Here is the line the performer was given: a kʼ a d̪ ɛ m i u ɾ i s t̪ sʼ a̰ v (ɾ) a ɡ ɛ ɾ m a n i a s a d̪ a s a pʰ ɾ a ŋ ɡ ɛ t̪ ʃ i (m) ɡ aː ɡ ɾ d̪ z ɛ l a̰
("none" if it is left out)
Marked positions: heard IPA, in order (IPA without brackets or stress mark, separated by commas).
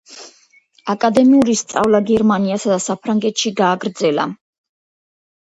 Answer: l, none